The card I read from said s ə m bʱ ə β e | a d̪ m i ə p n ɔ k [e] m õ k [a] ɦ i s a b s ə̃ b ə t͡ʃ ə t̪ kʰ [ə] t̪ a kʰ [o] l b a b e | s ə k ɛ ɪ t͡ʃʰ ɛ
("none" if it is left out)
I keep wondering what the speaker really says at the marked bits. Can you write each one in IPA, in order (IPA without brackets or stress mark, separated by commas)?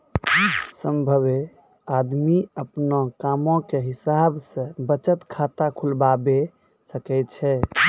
a, e, a, u